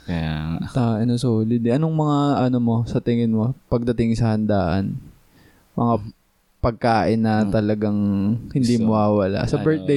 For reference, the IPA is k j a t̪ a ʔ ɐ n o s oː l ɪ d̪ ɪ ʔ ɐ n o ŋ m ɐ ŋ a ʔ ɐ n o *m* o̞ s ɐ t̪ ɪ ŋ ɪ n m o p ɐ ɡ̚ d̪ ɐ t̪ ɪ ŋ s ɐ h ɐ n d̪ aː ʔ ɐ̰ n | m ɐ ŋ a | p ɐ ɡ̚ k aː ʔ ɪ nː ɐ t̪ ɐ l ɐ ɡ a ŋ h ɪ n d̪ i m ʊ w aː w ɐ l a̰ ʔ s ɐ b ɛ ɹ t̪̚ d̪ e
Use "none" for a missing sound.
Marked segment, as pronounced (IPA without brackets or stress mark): m